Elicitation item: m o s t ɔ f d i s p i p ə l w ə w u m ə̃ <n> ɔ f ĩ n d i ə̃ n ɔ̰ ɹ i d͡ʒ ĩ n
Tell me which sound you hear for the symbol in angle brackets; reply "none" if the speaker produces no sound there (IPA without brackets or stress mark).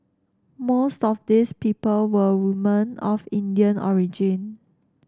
n